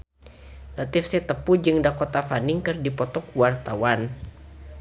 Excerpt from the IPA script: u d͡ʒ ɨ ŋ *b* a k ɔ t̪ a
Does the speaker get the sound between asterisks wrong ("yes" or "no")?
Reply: yes